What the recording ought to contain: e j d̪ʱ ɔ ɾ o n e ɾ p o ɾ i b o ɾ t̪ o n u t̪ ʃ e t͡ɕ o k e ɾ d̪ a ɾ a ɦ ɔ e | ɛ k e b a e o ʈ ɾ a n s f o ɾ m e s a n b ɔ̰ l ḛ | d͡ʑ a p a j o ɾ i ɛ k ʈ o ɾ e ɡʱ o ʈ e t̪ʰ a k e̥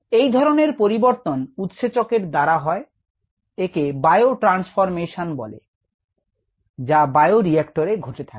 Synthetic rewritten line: e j d̪ʱ ɔ ɾ o n e ɾ p o ɾ i b o ɾ t̪ o n u t̪ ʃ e t͡ɕ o k e ɾ d̪ a ɾ a ɦ ɔ e | e k e b a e o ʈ ɾ a n s f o ɾ m e ʃ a n b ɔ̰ l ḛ | d͡ʑ a b a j o ɾ i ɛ k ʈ o ɾ e ɡʱ o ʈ e t̪ʰ a k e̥

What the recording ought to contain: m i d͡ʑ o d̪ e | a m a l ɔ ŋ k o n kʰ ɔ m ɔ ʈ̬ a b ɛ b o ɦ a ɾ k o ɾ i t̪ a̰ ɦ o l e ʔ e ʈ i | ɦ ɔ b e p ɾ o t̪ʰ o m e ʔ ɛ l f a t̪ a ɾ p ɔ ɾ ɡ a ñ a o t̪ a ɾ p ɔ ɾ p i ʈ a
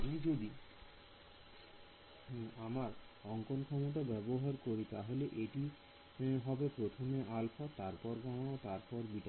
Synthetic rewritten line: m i d͡ʑ o d̪ i | a m a ɾ ɔ ŋ k o n kʰ ɔ m o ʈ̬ a b ɛ b o ɦ a ɾ k o ɾ i t̪ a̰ ɦ o l e ʔ e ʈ i | ɦ ɔ b e p ɾ o t̪ʰ o m e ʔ a l f a t̪ a ɾ p ɔ ɾ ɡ a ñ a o t̪ a ɾ p ɔ ɾ b i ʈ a

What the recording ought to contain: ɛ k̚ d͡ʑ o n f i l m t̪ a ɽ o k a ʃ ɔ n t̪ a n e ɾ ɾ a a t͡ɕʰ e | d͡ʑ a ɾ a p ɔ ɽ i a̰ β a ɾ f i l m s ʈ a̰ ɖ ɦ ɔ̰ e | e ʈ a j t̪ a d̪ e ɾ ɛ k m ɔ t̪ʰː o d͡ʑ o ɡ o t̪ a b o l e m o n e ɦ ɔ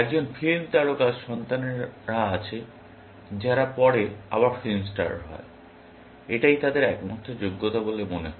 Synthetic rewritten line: ɛ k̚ d͡ʑ o n f i l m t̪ a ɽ o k a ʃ ɔ n t̪ a n e ɾ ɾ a a t͡ɕʰ e | d͡ʑ a ɾ a p ɔ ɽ e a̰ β a ɾ f i l m s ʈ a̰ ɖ ɦ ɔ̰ e | e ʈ a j t̪ a d̪ e ɾ ɛ k m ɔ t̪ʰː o d͡ʑ o ɡː o t̪ a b o l e m o n e ɦ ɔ

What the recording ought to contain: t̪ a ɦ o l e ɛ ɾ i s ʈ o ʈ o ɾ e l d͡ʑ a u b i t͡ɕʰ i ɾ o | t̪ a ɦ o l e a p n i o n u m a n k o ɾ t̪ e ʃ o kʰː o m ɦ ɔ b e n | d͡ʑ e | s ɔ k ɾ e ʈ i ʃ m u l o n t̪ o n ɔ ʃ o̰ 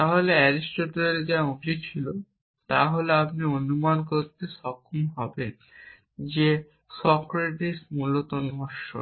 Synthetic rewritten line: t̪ a ɦ o l e ɛ ɾ i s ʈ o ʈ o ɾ e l d͡ʑ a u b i t͡ɕʰ i l o | t̪ a ɦ o l e a p n i o n u m a n k o ɾ t̪ e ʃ ɔ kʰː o m ɦ ɔ b e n | d͡ʑ e | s ɔ k ɾ e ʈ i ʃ m u l o t̪ o n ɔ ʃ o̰

